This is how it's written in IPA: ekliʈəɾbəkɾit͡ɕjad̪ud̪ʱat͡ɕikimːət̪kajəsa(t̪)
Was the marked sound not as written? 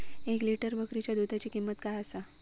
yes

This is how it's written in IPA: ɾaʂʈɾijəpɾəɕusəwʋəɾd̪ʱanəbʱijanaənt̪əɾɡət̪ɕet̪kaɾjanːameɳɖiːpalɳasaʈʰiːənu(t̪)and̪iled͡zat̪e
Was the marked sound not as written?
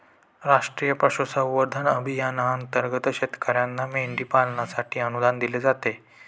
yes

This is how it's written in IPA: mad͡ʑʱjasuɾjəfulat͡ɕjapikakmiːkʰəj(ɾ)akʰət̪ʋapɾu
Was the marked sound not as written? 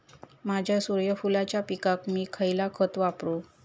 yes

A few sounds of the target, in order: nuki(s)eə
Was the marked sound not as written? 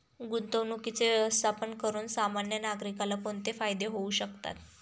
yes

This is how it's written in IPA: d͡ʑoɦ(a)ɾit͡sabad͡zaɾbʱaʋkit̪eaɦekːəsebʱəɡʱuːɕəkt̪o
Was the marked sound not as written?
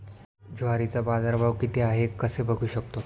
no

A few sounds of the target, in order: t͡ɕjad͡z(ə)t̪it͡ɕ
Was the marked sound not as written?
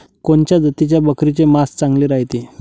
no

